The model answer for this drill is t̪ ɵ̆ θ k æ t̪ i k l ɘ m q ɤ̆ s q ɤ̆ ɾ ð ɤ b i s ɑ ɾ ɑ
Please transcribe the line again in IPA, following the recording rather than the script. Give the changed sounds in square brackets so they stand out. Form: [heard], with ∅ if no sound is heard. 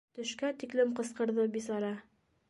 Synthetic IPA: t̪ ɵ̆ [ʃ] k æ t̪ i k l ɘ m q ɤ̆ s q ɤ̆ ɾ ð ɤ b i s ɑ ɾ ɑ